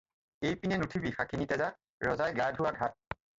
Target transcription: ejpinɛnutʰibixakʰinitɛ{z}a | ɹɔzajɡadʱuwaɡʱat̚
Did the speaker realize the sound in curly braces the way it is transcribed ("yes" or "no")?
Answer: yes